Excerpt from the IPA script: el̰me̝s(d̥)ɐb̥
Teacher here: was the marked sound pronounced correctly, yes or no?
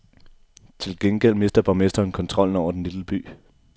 yes